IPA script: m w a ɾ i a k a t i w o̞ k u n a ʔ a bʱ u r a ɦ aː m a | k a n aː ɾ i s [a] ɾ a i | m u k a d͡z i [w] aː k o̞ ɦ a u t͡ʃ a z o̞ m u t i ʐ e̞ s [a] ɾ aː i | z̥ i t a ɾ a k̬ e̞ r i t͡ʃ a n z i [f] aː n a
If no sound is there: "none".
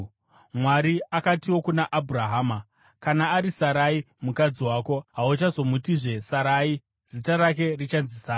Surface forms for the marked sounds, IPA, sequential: a, w, a, s

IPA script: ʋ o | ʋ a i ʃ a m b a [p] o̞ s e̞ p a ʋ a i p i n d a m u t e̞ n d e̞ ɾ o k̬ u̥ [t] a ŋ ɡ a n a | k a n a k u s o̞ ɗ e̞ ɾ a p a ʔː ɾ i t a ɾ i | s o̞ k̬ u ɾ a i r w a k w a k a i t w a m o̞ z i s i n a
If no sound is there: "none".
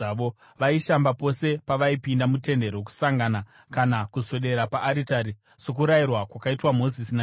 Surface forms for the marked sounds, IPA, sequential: p, s

